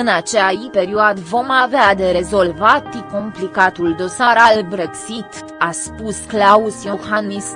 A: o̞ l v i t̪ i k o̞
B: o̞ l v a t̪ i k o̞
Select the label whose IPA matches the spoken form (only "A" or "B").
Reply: B